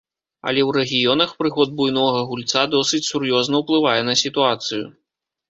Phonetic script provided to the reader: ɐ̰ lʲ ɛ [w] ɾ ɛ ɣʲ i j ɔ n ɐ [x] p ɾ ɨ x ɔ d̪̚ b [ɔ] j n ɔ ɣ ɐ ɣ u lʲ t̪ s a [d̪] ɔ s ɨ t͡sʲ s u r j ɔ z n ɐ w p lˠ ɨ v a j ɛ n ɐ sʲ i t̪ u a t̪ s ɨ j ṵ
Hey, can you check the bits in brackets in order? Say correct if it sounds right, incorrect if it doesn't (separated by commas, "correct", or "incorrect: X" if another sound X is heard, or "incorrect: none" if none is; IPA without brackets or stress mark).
correct, correct, incorrect: u, correct